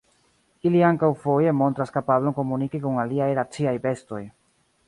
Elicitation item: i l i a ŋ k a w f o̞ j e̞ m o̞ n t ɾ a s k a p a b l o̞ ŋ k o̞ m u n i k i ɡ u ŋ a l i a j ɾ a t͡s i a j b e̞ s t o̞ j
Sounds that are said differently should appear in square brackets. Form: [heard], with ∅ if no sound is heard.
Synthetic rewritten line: i l i a ŋ k a w f o̞ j e̞ m o̞ n t ɾ a s k a p a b l o̞ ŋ k o̞ m u n i k i [k] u ŋ a l i a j ɾ a t͡s i a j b e̞ s t o̞ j